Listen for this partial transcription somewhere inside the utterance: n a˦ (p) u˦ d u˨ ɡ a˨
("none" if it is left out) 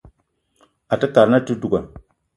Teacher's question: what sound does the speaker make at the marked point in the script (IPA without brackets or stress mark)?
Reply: t